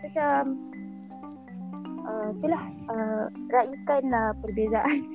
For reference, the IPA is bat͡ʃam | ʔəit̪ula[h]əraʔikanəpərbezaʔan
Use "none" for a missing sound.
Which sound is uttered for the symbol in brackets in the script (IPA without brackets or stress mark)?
h